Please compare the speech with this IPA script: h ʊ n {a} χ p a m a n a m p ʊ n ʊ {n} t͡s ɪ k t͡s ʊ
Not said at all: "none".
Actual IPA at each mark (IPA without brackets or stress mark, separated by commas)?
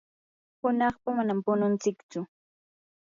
ɑ, n